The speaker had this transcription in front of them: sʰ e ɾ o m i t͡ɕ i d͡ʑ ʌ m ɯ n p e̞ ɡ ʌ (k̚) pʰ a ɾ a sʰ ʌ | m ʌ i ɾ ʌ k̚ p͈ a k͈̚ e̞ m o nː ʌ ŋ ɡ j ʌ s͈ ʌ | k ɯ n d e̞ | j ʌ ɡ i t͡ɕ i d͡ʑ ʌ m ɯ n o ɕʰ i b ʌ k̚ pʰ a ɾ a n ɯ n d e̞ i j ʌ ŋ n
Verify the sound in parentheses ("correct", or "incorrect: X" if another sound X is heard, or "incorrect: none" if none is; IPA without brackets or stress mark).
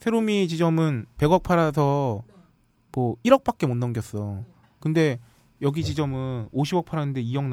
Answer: correct